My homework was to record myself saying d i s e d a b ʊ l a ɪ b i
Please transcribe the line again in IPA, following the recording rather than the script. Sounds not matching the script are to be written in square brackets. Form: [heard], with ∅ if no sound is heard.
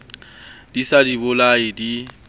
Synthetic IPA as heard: d i s [a] d [i] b ʊ l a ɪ [d] i